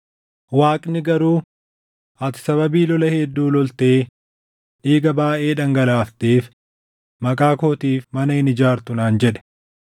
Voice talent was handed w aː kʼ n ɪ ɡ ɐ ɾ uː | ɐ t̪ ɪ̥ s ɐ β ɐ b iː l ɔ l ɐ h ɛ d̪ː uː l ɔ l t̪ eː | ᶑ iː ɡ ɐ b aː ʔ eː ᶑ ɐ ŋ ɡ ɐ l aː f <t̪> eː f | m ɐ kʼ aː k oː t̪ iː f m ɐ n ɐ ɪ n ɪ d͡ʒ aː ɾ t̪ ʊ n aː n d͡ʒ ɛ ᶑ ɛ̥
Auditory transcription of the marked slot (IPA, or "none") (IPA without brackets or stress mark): t̪